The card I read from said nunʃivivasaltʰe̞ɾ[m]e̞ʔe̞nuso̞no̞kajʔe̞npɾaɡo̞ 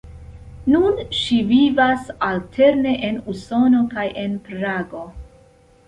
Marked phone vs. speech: incorrect: n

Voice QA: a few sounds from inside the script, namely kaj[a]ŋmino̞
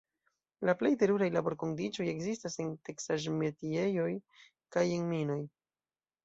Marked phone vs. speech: incorrect: e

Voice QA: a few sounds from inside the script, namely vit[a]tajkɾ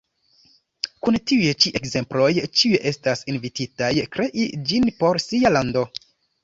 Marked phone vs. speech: incorrect: i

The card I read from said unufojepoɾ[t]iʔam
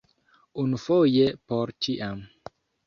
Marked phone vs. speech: incorrect: t͡ʃ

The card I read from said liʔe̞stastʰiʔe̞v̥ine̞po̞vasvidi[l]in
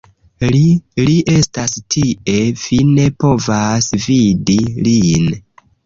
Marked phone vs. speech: correct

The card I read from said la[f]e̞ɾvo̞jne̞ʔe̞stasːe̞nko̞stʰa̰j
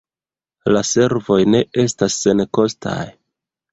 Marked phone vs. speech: incorrect: s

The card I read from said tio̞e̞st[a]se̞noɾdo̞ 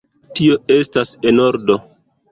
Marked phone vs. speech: correct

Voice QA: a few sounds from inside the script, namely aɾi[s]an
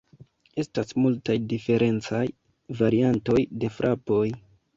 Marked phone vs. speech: incorrect: none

